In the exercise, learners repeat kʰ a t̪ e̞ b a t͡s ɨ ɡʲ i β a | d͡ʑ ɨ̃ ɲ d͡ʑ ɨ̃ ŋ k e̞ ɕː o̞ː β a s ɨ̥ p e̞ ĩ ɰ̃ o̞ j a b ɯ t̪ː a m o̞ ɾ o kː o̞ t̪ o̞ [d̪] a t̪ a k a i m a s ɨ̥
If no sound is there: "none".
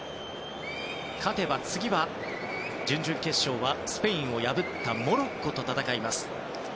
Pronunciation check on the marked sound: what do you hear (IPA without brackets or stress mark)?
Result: t̪